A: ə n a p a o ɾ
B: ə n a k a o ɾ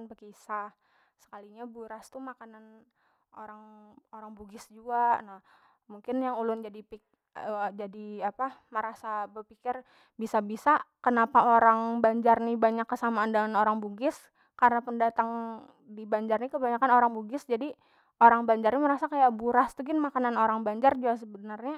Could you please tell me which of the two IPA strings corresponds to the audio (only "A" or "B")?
A